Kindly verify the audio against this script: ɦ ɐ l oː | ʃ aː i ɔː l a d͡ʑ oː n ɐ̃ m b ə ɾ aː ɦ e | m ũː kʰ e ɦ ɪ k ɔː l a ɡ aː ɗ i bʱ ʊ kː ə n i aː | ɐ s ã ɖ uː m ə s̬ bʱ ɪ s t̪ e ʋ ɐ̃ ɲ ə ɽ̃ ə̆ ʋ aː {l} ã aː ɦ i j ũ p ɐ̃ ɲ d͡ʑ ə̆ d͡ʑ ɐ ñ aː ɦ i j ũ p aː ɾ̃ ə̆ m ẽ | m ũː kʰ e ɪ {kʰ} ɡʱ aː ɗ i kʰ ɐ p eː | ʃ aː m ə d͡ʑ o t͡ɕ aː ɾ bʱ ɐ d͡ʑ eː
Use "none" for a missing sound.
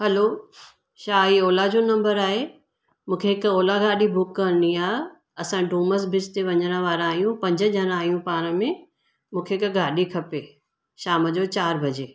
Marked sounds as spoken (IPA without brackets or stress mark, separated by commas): ɾ, k